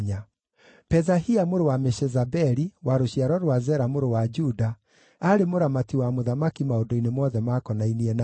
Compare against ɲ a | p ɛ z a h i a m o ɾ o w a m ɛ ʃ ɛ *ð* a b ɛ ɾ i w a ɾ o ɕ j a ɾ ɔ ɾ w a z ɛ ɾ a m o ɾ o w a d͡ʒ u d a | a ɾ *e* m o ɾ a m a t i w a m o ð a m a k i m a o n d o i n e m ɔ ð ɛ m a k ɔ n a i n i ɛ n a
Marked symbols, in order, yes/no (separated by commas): no, yes